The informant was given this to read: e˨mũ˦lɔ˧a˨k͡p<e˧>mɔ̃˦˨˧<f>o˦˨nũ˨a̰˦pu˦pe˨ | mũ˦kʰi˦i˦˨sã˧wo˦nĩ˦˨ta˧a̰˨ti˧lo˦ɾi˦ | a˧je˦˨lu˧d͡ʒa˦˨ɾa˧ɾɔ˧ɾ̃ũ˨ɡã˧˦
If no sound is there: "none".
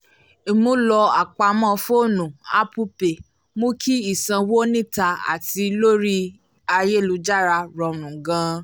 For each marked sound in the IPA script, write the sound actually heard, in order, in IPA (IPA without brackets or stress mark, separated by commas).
a˧, f